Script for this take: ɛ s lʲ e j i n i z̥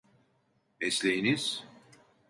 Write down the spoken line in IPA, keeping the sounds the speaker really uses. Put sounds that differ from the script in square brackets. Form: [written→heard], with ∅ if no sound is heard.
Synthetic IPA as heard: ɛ s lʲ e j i n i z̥